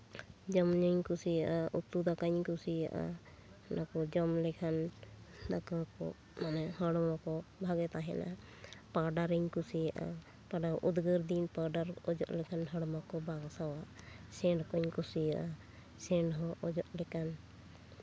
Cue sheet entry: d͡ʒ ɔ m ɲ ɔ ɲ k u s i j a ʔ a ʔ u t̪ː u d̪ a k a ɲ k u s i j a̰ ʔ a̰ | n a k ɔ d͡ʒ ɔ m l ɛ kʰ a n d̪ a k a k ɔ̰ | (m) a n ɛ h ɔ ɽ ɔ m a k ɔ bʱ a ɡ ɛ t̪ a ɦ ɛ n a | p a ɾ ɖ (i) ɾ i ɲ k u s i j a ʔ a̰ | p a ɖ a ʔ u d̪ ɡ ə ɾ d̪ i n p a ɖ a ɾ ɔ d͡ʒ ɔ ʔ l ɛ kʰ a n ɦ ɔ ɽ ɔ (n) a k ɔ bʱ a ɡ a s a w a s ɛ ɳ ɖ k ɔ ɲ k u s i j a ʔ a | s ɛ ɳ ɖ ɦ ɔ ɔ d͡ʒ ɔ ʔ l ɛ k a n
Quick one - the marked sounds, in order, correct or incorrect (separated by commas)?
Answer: correct, incorrect, incorrect